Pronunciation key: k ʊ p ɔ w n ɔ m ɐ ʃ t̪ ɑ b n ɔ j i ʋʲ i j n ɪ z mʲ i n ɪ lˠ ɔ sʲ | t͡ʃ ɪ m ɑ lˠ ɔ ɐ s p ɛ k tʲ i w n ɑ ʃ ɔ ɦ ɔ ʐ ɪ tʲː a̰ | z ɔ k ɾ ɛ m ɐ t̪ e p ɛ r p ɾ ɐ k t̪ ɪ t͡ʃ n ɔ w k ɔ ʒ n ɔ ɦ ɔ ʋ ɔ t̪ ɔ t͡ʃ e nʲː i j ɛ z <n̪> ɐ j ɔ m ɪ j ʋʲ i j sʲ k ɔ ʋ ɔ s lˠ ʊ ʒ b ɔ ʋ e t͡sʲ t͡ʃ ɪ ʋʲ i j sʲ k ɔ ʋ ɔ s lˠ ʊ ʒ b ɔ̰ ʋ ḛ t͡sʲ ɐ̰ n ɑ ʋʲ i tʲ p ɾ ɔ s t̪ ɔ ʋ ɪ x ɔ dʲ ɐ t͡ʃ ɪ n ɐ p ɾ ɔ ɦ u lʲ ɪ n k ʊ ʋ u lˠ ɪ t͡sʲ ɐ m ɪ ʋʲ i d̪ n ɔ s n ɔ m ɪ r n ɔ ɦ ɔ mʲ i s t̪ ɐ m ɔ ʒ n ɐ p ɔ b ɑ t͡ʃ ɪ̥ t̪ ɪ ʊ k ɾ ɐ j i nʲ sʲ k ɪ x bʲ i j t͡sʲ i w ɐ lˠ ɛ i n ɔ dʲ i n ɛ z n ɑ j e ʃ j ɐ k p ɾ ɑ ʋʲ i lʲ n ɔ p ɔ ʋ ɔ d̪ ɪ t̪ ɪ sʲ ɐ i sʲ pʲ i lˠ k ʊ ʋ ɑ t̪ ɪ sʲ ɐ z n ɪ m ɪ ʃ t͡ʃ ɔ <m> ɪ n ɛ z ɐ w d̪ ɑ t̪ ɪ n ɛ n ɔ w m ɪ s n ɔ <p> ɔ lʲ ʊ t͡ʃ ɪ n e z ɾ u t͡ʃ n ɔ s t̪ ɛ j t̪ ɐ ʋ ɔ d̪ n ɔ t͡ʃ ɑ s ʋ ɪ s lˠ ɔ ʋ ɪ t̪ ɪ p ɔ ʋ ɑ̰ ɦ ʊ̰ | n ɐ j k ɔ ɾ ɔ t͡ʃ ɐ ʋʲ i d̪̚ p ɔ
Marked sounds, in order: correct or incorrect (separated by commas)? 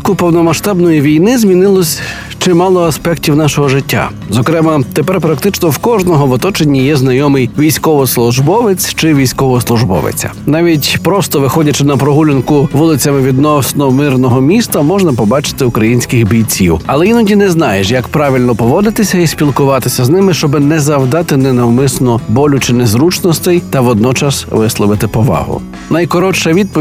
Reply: correct, incorrect, incorrect